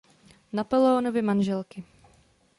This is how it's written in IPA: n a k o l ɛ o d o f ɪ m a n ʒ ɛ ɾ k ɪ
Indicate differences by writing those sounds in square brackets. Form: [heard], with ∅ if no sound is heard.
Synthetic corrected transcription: n a [p] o l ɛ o [n] o [v] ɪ m a n ʒ ɛ [l] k ɪ